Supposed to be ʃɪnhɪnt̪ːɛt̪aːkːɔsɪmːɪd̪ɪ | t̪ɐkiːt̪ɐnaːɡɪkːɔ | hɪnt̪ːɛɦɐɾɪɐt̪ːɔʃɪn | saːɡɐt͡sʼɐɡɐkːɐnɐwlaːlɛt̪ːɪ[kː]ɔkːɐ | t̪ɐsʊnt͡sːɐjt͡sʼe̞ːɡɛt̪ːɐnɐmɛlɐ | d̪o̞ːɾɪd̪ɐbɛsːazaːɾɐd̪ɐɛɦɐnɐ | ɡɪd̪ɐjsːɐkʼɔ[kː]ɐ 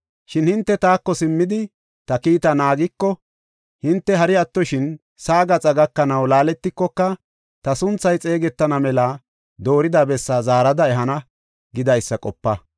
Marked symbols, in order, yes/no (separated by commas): yes, no